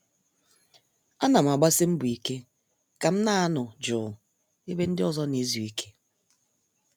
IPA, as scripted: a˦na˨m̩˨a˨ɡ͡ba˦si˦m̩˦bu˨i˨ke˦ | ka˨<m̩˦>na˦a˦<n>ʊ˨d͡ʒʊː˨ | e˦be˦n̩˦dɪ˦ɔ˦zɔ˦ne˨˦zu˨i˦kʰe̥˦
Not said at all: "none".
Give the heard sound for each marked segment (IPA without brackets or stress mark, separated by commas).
m̩˦, n